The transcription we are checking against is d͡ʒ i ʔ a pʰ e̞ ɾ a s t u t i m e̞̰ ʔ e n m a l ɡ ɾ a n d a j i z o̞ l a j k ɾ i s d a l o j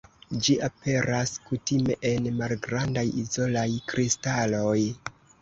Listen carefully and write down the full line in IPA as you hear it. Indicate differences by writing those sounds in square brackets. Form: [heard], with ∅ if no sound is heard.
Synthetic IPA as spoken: d͡ʒ i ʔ a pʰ e̞ ɾ a s [k] u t i m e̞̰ ʔ e n m a l ɡ ɾ a n d a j i z o̞ l a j k ɾ i s [t] a l o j